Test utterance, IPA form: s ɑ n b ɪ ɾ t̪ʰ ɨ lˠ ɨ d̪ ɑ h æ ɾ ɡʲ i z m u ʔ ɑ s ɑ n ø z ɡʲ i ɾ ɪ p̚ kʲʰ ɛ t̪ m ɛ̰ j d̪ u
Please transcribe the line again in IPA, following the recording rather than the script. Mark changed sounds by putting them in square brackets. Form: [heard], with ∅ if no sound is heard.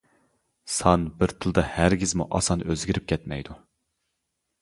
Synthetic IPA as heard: s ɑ n b ɪ ɾ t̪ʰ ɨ lˠ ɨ d̪ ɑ h æ ɾ ɡʲ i z m u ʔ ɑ s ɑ n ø z ɡʲ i ɾ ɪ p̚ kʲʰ ɛ t̪ m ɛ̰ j d̪ u